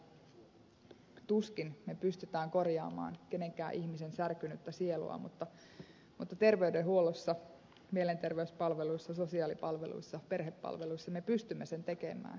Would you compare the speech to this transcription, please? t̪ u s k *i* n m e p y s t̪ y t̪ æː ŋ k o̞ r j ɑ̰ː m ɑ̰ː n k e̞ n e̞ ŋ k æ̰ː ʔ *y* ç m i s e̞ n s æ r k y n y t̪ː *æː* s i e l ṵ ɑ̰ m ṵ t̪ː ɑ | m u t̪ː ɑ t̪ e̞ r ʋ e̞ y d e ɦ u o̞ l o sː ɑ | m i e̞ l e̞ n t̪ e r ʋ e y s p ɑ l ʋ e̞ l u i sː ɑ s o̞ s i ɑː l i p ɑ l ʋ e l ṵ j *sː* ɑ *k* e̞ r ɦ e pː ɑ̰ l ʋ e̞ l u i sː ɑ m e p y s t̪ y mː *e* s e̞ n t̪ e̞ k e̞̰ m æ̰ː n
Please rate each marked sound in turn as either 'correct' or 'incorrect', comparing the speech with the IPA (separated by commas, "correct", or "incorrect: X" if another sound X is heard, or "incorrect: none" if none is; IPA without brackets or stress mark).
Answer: correct, incorrect: i, incorrect: æ, correct, incorrect: p, correct